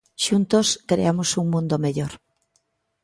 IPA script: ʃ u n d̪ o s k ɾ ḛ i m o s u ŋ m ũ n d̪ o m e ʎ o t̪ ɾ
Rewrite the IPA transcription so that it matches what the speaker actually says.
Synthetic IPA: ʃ u n t̪ o s k ɾ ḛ a m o s u ŋ m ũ n d̪ o m e ʎ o ɾ